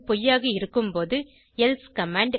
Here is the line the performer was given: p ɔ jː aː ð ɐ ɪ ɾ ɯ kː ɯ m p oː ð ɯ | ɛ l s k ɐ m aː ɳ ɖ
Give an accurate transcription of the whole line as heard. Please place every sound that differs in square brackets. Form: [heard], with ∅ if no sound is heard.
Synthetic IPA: p ɔ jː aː [ɣ] ɐ ɪ ɾ ɯ kː ɯ m p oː ð ɯ | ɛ l s k ɐ m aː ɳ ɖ